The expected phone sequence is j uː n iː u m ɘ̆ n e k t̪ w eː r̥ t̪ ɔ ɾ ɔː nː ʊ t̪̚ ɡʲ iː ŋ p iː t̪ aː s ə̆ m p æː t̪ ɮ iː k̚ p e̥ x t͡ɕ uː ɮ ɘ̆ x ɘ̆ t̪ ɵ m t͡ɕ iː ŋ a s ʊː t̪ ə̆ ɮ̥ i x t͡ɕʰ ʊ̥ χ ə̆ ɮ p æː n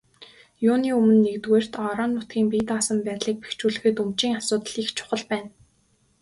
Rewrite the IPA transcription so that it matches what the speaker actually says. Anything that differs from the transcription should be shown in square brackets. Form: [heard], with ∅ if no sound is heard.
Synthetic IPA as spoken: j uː n iː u m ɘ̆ [nː] e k t̪ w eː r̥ t̪ ɔ ɾ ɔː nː ʊ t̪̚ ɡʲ iː ŋ p iː t̪ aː s ə̆ m p æː t̪ ɮ iː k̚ p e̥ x t͡ɕ uː ɮ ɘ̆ x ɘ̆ t̪ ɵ m t͡ɕ iː ŋ a s ʊː t̪ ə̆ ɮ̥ i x t͡ɕʰ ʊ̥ χ ə̆ ɮ p æː n